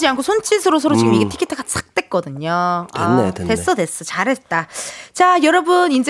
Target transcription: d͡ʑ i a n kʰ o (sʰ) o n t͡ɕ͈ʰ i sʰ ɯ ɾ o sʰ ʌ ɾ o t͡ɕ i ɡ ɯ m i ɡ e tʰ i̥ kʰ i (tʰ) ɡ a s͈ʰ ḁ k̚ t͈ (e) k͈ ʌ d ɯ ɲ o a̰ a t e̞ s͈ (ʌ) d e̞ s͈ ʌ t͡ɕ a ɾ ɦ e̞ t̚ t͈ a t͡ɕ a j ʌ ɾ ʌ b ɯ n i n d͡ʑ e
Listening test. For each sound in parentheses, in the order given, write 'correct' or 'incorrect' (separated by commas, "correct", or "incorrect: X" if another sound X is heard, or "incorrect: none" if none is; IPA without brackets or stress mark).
correct, correct, correct, correct